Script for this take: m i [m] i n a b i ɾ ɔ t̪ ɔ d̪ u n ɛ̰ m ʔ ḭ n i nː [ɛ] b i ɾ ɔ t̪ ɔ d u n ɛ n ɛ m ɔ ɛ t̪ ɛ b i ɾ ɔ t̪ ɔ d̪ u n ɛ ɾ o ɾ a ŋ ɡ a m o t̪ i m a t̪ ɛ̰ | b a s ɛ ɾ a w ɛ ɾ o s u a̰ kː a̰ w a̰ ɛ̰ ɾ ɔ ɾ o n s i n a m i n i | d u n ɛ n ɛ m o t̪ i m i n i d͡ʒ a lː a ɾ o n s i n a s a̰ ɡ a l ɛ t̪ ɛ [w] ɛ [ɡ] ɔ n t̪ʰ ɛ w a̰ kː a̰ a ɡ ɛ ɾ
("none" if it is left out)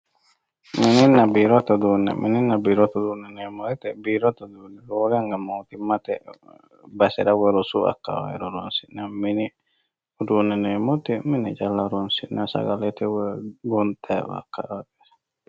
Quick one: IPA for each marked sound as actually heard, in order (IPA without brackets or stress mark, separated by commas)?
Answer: n, a, w, ɡ